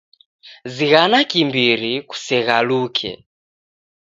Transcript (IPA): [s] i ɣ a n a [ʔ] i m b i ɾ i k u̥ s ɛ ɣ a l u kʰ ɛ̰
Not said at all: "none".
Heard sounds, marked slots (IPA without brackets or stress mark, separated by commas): z, k